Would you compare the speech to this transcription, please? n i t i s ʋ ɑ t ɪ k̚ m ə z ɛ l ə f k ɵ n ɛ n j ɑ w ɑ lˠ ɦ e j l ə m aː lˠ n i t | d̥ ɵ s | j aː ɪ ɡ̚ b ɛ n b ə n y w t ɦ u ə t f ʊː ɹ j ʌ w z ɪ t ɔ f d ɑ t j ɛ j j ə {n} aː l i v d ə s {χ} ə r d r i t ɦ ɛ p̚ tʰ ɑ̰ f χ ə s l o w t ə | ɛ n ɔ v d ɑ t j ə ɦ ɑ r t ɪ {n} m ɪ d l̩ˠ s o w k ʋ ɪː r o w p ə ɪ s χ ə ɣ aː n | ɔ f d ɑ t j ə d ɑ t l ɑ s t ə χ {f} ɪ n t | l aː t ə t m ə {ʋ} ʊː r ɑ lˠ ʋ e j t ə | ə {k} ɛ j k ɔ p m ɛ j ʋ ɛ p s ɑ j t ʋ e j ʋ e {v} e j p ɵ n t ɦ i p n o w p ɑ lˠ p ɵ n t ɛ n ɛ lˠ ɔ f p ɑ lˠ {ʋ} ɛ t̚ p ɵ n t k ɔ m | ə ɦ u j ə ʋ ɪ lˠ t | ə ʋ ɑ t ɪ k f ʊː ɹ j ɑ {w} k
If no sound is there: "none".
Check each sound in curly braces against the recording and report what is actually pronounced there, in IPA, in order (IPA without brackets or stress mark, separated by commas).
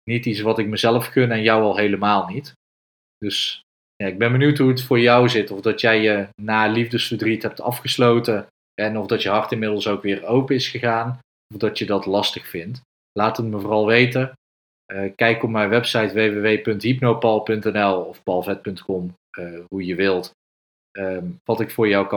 n, f, n, f, v, k, ʋ, v, w